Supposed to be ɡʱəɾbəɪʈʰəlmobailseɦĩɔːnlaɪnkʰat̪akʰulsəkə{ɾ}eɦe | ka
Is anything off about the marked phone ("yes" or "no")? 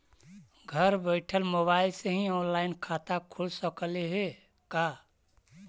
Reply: yes